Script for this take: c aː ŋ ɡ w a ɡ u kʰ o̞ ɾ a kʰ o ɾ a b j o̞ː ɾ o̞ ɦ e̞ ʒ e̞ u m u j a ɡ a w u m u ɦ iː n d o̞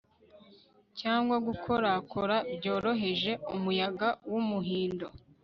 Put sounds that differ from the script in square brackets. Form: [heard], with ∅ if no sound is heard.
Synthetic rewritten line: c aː ŋ ɡ w a ɡ u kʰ o̞ ɾ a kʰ o ɾ a b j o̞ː ɾ o̞ ɦ e̞ ʒ e̞ u m u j a ɡ a w u m u ɦ iː n d o̞